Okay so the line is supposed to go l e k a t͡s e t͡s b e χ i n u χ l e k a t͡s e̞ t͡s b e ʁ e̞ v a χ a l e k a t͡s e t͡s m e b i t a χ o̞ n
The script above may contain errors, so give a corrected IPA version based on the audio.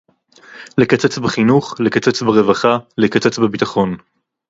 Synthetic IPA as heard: l e k a t͡s e t͡s b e χ i n u χ l e k a t͡s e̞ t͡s b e ʁ e̞ v a χ a l e k a t͡s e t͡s b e b i t a χ o̞ n